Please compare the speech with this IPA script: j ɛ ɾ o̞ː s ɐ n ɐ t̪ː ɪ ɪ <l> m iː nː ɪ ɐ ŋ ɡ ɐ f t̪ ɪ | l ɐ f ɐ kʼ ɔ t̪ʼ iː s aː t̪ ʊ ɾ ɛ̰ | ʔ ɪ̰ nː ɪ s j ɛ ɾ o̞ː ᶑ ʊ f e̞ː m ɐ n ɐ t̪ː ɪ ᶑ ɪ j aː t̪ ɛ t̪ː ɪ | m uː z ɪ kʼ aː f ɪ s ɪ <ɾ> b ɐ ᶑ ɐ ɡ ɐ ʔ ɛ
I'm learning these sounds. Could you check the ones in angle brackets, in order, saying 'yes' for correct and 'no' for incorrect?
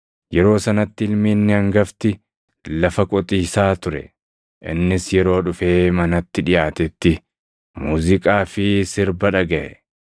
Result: yes, yes

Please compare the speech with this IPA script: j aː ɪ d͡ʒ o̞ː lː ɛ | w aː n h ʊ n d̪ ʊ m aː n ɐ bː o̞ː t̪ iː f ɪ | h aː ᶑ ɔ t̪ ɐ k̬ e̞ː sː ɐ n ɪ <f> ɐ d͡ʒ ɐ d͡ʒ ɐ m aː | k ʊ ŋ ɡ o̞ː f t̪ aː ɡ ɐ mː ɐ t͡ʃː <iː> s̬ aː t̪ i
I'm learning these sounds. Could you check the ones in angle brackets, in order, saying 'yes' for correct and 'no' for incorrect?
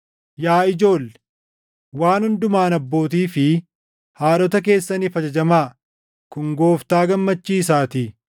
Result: yes, yes

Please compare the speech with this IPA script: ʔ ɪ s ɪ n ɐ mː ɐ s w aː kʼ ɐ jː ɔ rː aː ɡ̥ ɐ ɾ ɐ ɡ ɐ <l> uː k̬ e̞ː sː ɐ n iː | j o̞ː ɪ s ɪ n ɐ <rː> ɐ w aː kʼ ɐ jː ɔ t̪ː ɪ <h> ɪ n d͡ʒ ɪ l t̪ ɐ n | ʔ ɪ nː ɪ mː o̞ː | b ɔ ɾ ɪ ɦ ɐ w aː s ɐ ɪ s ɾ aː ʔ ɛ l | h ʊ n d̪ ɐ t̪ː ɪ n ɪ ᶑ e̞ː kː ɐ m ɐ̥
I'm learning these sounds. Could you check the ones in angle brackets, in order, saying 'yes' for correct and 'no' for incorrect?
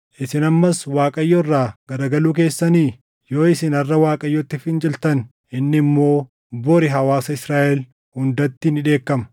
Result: yes, yes, no

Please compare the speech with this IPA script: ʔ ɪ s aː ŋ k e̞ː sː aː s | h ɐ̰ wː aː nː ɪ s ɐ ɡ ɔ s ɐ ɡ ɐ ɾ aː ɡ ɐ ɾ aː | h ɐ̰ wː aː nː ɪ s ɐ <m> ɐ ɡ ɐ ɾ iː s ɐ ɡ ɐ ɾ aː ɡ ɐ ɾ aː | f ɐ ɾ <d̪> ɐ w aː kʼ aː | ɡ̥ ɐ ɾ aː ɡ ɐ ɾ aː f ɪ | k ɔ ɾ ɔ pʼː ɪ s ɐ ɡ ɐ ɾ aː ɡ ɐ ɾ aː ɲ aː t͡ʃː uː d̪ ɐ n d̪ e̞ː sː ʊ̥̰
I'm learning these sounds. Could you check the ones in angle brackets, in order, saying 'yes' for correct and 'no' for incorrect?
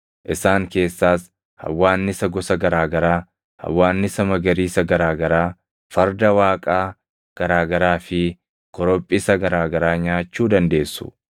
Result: yes, yes

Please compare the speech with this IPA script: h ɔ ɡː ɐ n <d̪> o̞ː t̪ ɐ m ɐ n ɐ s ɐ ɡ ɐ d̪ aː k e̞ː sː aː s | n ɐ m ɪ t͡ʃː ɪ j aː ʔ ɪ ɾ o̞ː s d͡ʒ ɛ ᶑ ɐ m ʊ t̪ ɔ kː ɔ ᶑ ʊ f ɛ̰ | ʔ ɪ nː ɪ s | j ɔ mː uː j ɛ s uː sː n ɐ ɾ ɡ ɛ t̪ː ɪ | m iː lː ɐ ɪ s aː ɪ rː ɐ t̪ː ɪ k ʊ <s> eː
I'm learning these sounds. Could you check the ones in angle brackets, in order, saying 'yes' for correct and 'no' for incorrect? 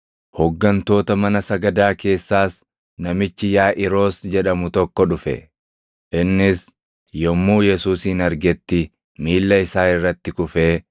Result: no, no

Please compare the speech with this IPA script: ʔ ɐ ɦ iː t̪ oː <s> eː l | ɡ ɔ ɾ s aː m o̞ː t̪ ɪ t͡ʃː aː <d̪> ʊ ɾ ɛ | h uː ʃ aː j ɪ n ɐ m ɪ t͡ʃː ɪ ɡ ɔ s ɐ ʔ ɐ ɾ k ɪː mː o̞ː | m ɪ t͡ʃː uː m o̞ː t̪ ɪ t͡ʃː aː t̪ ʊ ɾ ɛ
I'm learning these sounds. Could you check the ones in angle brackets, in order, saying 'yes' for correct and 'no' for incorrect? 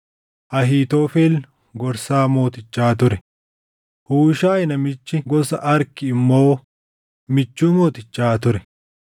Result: no, no

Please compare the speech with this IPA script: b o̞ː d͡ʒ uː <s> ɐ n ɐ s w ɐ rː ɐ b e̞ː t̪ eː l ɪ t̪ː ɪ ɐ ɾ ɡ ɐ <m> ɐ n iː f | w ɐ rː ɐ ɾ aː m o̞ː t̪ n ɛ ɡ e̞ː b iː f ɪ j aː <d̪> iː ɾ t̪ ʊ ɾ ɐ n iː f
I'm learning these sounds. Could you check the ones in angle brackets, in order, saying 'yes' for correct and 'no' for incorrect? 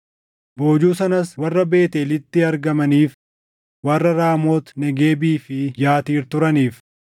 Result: yes, yes, no

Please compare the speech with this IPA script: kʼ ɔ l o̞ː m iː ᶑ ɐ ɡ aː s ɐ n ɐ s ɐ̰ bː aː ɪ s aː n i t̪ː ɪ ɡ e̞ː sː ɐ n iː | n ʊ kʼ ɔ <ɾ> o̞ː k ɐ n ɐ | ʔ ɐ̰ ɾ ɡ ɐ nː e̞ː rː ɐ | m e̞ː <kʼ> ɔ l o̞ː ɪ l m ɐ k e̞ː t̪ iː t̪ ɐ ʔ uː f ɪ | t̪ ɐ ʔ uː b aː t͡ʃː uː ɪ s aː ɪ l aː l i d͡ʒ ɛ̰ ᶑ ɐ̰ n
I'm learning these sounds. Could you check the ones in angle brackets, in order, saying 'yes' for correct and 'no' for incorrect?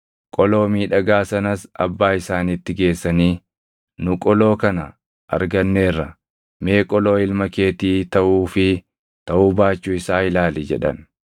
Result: no, yes

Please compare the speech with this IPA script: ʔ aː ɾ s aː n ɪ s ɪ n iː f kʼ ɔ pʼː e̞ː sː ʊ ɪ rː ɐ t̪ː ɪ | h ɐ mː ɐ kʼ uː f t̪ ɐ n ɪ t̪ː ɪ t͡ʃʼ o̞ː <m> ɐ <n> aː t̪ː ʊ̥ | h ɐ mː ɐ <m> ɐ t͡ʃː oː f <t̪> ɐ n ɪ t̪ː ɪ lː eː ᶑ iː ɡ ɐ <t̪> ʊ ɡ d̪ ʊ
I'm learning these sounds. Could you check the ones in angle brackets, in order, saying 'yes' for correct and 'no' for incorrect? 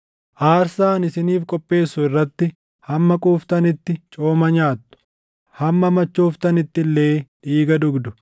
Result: yes, no, yes, yes, no

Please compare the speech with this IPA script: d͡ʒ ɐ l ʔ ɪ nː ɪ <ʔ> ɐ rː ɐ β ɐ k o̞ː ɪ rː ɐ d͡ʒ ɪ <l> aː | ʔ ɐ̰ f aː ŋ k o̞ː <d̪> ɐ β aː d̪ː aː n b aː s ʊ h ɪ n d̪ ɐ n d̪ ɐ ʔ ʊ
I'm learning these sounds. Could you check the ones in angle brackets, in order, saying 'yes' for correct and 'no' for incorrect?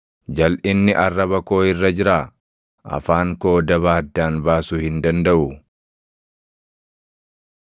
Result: yes, no, yes

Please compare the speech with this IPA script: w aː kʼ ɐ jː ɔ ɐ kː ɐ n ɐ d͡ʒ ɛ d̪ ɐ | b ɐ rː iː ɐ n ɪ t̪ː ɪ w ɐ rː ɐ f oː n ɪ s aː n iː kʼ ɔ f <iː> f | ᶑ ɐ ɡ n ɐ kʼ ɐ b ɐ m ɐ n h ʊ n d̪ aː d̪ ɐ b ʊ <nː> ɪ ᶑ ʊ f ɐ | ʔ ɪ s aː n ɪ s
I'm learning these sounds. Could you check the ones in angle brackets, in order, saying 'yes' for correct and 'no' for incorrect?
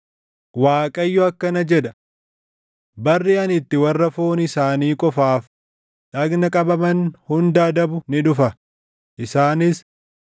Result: no, no

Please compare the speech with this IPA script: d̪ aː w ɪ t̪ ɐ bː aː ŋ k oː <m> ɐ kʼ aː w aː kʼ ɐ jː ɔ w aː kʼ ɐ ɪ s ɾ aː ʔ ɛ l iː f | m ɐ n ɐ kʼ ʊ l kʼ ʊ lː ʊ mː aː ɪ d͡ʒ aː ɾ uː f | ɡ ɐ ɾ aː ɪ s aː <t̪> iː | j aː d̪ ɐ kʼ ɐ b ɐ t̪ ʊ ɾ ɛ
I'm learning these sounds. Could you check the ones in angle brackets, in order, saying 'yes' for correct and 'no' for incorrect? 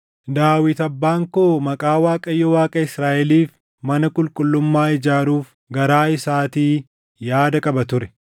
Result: yes, yes

